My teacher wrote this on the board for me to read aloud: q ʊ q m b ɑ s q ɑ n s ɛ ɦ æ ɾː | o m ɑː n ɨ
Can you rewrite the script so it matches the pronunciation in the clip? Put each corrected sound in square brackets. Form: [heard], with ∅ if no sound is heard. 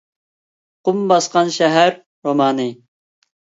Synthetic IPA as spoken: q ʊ [∅] m b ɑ s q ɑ n [ʃ] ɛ ɦ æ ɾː | o m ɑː n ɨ